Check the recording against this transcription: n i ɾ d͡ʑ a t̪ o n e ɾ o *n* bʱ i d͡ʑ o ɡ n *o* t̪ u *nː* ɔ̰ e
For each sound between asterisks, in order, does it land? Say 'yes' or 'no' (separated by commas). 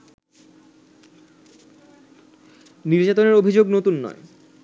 no, yes, yes